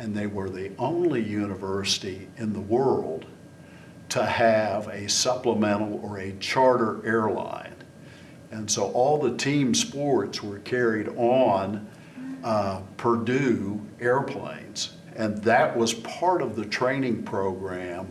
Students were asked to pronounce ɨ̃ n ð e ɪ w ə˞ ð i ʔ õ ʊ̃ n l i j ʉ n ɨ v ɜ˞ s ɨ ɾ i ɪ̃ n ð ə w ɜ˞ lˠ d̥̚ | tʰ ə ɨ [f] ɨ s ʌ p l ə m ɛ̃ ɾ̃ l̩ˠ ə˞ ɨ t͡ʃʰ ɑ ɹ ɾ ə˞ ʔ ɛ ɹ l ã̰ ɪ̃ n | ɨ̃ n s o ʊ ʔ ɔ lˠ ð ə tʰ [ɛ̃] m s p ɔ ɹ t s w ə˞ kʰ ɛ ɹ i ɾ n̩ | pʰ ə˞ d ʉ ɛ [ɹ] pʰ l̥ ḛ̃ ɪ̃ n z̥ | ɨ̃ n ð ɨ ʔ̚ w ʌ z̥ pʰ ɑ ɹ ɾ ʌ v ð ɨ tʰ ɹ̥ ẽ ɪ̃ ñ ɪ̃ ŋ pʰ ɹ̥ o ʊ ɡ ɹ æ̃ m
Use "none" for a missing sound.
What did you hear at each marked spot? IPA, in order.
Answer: v, ĩ, ɹ

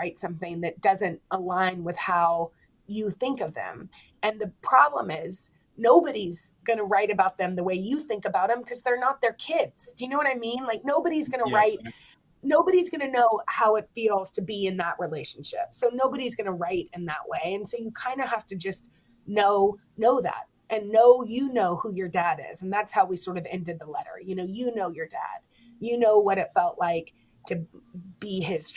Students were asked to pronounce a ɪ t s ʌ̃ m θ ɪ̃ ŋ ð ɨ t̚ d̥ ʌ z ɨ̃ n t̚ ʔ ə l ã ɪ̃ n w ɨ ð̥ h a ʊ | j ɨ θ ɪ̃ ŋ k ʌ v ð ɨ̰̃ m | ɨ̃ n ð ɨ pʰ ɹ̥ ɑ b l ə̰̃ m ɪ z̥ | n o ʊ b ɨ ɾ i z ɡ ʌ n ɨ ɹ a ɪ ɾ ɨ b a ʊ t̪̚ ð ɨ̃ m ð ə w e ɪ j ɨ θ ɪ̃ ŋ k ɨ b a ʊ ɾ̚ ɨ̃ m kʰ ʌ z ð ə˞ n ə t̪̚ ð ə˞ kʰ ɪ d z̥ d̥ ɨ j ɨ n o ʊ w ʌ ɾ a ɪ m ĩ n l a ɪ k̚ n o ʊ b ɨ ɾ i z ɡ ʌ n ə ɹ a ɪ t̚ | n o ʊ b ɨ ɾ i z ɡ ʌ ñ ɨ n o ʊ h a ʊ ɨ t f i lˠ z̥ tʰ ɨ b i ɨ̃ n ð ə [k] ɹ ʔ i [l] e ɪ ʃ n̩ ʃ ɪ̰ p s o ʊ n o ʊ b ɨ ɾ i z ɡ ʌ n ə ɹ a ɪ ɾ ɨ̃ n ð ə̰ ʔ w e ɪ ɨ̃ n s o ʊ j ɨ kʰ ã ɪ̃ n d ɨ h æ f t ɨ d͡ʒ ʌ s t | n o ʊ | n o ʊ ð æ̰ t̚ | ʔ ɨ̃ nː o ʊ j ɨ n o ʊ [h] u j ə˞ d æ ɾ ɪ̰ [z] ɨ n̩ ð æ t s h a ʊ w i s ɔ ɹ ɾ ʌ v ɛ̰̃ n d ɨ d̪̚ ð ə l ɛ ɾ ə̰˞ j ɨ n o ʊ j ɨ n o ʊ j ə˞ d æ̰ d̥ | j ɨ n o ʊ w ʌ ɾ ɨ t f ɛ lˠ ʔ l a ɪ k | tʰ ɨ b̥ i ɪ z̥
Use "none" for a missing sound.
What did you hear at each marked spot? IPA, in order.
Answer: ʔ, l, h, z

